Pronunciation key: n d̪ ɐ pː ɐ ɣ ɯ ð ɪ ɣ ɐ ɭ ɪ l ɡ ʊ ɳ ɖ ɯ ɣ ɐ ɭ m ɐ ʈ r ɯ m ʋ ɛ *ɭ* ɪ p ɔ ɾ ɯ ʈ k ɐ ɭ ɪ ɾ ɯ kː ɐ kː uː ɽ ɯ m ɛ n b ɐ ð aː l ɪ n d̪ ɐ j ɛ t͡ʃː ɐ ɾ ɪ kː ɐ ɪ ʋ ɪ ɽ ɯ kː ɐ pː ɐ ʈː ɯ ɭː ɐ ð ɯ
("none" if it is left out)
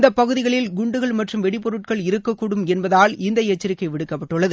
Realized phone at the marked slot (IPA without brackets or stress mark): ɽ